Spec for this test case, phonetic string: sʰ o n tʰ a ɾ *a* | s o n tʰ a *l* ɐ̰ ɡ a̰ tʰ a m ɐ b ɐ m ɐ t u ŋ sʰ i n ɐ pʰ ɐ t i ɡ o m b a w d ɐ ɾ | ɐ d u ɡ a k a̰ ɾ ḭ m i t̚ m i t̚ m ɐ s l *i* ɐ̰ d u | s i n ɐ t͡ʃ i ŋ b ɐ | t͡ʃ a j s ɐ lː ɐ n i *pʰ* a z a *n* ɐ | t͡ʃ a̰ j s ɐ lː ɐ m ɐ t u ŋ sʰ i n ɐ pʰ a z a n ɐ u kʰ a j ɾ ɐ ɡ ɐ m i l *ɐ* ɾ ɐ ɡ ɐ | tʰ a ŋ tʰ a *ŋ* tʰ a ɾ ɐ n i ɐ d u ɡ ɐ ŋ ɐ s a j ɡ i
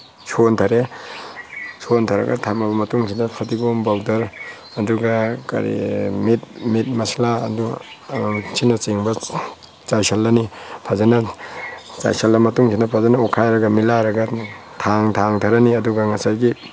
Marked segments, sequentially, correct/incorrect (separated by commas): incorrect, incorrect, incorrect, correct, correct, incorrect, correct